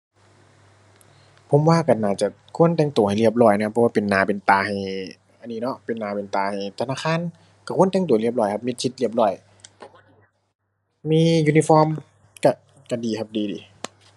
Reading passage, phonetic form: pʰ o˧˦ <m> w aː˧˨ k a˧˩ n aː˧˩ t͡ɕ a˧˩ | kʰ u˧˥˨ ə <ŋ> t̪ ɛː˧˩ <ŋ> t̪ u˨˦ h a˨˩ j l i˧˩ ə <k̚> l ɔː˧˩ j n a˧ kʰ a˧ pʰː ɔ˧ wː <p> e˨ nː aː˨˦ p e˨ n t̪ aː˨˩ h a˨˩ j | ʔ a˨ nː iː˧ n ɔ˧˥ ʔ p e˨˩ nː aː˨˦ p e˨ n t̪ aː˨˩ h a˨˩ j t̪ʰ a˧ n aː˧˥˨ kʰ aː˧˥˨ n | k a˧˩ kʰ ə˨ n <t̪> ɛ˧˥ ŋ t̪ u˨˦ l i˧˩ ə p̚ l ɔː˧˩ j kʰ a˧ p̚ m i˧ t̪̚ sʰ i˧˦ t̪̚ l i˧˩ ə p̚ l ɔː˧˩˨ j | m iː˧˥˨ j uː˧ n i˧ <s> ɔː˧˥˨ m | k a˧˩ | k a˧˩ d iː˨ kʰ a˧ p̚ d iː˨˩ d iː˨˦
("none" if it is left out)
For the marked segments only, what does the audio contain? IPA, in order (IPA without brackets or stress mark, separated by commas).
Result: m, n, ŋ, p̚, p, t̪, f